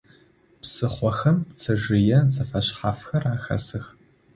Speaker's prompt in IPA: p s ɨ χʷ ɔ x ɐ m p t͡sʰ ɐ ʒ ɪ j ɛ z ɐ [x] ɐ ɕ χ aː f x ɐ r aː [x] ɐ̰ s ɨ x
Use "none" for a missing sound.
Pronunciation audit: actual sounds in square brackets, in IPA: f, x

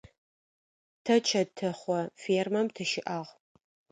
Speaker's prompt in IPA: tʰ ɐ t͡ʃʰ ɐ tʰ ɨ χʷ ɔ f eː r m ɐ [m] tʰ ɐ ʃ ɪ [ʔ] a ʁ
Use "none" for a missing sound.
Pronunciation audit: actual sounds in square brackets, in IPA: m, ʔ

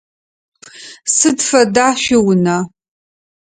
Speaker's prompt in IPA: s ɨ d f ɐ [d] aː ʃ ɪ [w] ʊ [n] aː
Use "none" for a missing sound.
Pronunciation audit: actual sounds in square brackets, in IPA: d, w, n

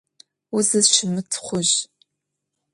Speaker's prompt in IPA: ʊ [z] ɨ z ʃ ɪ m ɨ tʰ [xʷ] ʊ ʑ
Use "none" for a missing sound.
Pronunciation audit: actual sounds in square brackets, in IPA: z, χʷ

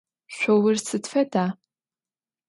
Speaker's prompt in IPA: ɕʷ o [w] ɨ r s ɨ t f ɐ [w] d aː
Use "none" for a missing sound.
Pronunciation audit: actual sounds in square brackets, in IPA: w, none

